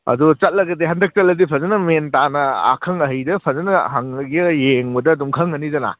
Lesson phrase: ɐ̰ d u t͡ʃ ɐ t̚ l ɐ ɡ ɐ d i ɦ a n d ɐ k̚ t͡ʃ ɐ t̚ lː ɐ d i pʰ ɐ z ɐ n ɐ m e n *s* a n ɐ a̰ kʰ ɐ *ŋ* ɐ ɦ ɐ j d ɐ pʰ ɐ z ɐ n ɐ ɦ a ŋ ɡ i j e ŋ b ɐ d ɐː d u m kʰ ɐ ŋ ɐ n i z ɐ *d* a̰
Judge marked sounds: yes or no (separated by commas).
no, yes, no